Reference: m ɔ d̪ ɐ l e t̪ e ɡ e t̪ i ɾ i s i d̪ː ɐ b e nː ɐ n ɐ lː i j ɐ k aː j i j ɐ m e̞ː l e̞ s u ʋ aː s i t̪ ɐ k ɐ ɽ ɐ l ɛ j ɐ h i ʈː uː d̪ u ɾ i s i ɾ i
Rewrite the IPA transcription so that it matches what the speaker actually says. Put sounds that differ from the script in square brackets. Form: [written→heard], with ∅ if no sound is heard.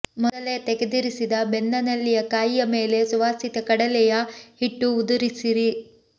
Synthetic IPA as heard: m ɔ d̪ ɐ l e t̪ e ɡ e [t̪→d̪] i ɾ i s i [d̪ː→d̪] ɐ b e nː ɐ n ɐ lː i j ɐ k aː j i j ɐ m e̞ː l e̞ s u ʋ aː s i t̪ ɐ k ɐ ɽ ɐ l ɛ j ɐ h i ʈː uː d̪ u ɾ i s i ɾ i